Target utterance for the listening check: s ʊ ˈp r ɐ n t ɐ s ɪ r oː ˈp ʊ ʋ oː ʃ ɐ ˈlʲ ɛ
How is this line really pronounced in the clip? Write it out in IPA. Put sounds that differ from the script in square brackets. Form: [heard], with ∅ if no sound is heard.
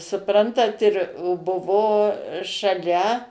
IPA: s ʊ ˈp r ɐ n t ɐ [t] ɪ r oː [ˈb] ʊ ʋ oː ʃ ɐ ˈlʲ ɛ

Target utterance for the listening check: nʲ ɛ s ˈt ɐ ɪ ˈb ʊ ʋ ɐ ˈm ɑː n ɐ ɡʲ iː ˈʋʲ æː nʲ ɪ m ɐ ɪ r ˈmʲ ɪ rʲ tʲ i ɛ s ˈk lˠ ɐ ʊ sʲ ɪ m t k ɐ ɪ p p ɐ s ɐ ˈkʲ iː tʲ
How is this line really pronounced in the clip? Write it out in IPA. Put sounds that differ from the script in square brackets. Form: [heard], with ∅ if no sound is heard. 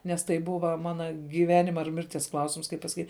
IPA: nʲ ɛ s ˈt ɐ ɪ ˈb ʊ ʋ ɐ ˈm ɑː n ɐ ɡʲ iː ˈʋʲ æː nʲ ɪ m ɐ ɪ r ˈmʲ ɪ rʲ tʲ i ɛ s ˈk lˠ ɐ ʊ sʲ ɪ m [s] k ɐ ɪ p p ɐ s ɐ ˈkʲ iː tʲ

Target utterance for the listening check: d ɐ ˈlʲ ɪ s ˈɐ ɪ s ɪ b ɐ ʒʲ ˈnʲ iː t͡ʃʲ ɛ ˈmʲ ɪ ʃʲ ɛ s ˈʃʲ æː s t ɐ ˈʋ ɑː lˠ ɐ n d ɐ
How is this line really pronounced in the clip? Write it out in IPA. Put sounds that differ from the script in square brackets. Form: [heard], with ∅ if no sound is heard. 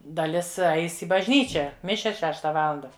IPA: d ɐ ˈlʲ ɪ s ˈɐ ɪ s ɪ b ɐ ʒʲ ˈnʲ iː t͡ʃʲ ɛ ˈmʲ ɪ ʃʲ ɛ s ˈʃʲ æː [ʃ] t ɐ ˈʋ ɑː lˠ ɐ n d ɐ

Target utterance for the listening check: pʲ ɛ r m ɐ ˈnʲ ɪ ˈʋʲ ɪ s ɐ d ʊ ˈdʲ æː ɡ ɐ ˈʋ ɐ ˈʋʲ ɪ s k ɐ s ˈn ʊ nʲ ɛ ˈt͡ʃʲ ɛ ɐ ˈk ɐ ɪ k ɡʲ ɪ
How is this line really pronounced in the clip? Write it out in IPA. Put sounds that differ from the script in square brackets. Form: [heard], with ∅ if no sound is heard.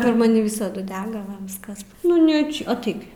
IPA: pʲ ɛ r m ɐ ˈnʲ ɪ ˈʋʲ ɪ s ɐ d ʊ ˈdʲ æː ɡ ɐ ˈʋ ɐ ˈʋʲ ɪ s k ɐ s ˈn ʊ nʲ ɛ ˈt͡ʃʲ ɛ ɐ [ˈt] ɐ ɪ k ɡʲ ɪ

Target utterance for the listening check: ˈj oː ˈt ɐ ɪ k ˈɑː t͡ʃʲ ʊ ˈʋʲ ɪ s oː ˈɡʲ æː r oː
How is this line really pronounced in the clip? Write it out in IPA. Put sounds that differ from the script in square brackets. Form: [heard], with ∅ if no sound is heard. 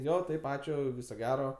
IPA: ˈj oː ˈt ɐ ɪ [p] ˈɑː t͡ʃʲ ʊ ˈʋʲ ɪ s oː ˈɡʲ æː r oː

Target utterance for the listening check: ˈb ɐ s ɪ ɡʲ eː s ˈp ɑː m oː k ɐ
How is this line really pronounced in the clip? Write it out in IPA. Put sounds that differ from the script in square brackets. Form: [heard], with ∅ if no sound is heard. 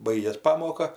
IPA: ˈb ɐ [∅] ɪ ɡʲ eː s ˈp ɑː m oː k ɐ

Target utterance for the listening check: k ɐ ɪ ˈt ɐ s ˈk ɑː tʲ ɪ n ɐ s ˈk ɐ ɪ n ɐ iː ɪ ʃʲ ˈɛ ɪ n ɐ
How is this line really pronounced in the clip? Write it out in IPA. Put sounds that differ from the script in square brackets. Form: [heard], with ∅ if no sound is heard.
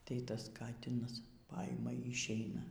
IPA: [t] ɐ ɪ ˈt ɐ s ˈk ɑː tʲ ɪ n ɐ s [ˈp] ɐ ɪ [m] ɐ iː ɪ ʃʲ ˈɛ ɪ n ɐ

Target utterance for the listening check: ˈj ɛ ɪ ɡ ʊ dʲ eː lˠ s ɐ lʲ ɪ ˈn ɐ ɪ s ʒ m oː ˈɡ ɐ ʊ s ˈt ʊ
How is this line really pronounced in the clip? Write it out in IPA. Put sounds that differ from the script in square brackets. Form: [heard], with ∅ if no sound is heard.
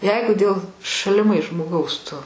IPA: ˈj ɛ ɪ ɡ ʊ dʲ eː lˠ [ʃ] ɐ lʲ ɪ [ˈm] ɐ ɪ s ʒ m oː ˈɡ ɐ ʊ s ˈt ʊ

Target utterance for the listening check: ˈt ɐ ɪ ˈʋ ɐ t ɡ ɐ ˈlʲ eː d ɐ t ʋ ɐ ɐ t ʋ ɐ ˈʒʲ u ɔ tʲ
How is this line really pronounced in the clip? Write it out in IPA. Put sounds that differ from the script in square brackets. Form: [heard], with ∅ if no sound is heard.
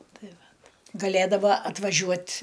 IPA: ˈt ɐ ɪ ˈʋ ɐ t ɡ ɐ ˈlʲ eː d ɐ [∅] ʋ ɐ ɐ t ʋ ɐ ˈʒʲ u ɔ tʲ

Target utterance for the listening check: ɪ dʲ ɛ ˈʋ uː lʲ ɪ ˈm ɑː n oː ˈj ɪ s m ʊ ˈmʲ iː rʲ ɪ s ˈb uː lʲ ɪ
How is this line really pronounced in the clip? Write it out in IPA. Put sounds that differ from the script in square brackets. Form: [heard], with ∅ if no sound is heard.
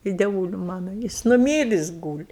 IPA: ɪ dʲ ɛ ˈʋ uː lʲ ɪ ˈm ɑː n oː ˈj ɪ s [n] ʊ ˈmʲ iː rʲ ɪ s [ˈɡ] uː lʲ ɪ

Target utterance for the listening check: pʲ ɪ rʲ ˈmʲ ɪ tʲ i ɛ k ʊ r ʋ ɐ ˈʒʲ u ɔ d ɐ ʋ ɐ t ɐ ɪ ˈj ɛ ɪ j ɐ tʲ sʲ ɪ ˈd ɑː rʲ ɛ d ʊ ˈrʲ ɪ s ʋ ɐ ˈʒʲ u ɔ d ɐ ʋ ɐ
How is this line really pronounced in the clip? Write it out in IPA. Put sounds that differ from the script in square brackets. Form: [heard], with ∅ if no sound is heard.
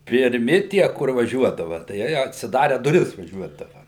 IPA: pʲ ɪ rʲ ˈmʲ ɪ tʲ i ɛ k ʊ r ʋ ɐ ˈʒʲ u ɔ d ɐ ʋ ɐ t ɐ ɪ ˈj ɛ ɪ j ɐ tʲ sʲ ɪ ˈd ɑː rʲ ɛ d ʊ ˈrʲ ɪ s ʋ ɐ ˈʒʲ u ɔ d ɐ ʋ ɐ

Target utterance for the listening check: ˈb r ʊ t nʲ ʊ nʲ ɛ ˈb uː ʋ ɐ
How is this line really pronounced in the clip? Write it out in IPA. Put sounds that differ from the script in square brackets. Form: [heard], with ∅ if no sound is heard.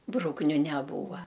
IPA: ˈb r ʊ [k] nʲ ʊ nʲ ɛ ˈb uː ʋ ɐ

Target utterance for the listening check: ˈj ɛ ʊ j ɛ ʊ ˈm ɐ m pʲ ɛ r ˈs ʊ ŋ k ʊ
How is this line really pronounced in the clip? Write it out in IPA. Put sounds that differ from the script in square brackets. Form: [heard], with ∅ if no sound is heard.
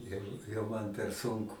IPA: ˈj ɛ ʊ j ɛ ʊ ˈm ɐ [n] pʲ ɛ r ˈs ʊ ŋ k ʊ

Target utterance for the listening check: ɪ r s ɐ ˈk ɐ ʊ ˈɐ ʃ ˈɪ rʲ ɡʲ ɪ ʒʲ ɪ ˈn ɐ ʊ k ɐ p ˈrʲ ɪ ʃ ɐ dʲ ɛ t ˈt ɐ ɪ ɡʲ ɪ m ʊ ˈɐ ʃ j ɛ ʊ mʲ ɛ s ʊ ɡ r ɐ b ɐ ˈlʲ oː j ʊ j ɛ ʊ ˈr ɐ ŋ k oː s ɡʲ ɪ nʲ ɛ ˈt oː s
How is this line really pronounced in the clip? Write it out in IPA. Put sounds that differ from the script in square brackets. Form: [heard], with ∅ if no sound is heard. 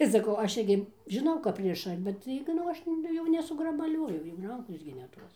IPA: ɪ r s ɐ ˈk ɐ ʊ ˈɐ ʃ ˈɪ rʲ ɡʲ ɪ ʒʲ ɪ ˈn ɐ ʊ k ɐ p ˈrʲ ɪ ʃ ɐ [bʲ] ɛ t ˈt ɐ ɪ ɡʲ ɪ [n] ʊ ˈɐ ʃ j ɛ ʊ [nʲ] ɛ s ʊ ɡ r ɐ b ɐ ˈlʲ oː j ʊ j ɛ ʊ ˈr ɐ ŋ k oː s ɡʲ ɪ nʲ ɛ ˈt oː s

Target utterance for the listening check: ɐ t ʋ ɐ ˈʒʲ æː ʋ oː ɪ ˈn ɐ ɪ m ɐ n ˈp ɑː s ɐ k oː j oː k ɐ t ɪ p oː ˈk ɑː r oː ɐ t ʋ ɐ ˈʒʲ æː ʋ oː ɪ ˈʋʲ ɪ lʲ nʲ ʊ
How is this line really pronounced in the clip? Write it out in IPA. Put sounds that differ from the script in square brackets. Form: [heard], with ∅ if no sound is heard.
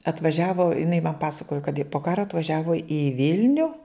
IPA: ɐ t ʋ ɐ ˈʒʲ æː ʋ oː ɪ ˈn ɐ ɪ m ɐ n ˈp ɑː s ɐ k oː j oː k ɐ t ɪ p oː ˈk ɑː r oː ɐ t ʋ ɐ ˈʒʲ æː ʋ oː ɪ ˈʋʲ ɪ lʲ nʲ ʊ

